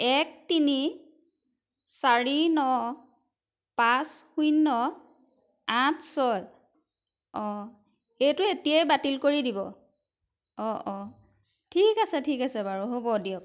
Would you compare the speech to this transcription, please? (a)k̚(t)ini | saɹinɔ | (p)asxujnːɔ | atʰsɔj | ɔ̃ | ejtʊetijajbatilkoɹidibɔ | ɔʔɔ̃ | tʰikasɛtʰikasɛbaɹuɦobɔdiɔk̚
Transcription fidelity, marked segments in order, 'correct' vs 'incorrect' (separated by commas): incorrect, correct, correct